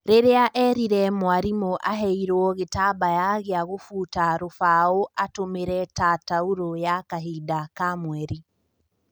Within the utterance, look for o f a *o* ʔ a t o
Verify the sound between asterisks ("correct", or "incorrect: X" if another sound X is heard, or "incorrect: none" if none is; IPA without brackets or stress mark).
correct